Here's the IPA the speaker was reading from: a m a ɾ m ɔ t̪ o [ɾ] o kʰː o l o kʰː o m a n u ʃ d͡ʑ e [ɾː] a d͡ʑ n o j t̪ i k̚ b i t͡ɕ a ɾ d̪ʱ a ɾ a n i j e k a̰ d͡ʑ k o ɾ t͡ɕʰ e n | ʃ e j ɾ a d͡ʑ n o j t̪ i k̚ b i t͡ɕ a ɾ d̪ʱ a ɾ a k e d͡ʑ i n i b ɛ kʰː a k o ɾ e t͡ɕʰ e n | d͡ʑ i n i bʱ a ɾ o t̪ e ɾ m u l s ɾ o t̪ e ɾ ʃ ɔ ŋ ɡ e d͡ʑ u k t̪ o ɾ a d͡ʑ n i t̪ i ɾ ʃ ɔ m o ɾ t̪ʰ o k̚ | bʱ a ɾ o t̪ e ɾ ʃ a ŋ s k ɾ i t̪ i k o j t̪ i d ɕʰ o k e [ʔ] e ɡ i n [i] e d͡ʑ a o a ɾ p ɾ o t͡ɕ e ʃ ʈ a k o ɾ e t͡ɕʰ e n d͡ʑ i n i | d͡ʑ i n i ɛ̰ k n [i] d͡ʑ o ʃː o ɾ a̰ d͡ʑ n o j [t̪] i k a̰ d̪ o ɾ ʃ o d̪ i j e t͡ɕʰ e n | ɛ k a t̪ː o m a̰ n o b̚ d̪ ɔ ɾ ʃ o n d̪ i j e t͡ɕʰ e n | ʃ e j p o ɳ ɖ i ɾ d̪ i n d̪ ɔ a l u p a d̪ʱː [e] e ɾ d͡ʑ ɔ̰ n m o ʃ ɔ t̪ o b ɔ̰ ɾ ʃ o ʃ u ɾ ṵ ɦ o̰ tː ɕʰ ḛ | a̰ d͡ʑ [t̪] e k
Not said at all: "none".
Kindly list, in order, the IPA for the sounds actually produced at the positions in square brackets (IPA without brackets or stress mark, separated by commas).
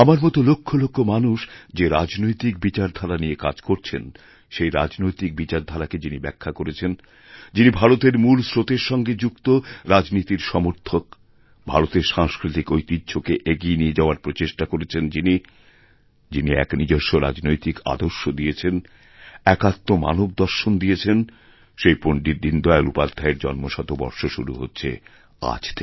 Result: l, ɾ, ʔ, i, i, t̪, a, t̪ʰ